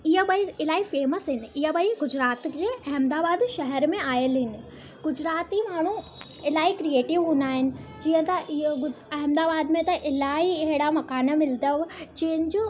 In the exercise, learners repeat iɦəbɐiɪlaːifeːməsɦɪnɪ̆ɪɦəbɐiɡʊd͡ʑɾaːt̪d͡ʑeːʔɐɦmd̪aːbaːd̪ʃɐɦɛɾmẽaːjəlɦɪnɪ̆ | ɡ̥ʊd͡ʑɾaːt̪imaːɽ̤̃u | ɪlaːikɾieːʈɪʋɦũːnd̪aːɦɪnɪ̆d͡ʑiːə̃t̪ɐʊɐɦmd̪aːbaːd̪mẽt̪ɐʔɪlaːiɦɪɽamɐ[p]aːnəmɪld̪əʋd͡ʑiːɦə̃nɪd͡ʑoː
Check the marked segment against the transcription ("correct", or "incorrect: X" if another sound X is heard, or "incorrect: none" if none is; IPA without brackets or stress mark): incorrect: k